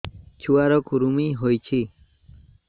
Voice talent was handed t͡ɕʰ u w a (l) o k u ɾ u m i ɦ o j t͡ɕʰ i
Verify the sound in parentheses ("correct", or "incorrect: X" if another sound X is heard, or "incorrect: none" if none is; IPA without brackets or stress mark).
incorrect: ɾ